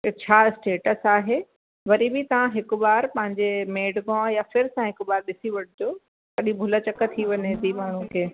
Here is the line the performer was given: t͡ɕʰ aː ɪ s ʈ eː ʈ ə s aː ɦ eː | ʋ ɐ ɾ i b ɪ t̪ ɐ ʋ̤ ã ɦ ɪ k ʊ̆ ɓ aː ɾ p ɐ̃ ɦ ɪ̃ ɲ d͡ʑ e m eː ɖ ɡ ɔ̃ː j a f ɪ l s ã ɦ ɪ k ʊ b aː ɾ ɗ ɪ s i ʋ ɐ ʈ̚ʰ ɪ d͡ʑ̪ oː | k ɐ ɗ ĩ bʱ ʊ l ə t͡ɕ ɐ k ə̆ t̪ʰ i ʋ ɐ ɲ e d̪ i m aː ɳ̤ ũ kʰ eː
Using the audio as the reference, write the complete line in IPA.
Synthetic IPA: t͡ɕʰ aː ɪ s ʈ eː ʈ ə s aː ɦ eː | ʋ ɐ ɾ i b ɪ t̪ ɐ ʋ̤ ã ɦ ɪ k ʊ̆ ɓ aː ɾ p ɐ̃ ɦ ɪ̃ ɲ d͡ʑ e m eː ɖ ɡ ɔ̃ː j a f ɪ ɾ s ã ɦ ɪ k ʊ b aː ɾ ɗ ɪ s i ʋ ɐ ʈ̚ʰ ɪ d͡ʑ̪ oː | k ɐ ɗ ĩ bʱ ʊ l ə t͡ɕ ɐ k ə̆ t̪ʰ i ʋ ɐ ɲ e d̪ i m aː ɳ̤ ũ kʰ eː